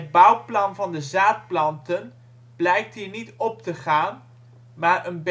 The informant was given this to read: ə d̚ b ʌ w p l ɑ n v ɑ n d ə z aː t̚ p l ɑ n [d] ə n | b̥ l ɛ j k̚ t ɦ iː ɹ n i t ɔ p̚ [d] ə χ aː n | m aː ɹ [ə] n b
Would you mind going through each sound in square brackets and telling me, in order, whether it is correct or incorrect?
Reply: incorrect, incorrect, correct

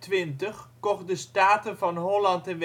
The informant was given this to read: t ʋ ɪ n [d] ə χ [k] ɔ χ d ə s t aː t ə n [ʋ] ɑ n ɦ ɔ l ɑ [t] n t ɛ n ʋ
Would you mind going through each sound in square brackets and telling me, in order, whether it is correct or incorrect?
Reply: incorrect, correct, incorrect, incorrect

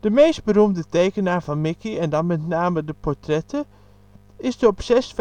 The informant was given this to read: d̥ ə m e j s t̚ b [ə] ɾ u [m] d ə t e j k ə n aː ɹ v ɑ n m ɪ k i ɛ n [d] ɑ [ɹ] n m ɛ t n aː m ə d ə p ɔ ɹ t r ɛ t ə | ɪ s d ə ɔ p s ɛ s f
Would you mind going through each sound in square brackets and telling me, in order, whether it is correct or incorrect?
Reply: correct, correct, correct, incorrect

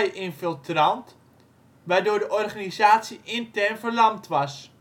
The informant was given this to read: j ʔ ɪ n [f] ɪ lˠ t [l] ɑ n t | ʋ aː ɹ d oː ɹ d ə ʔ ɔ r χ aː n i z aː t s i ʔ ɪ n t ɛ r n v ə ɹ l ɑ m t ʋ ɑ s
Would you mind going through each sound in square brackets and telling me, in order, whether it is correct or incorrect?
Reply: correct, incorrect

